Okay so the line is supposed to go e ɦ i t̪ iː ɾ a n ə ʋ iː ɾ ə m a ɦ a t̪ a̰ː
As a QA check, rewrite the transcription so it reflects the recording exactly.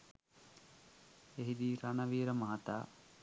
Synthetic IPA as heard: e ɦ i d̪ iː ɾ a n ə ʋ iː ɾ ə m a ɦ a t̪ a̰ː